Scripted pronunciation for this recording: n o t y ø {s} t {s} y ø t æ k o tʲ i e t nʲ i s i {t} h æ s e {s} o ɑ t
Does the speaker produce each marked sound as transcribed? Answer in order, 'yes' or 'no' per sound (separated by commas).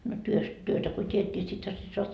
yes, no, yes, yes